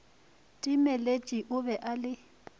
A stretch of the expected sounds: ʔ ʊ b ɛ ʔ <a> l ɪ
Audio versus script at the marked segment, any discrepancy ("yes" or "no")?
no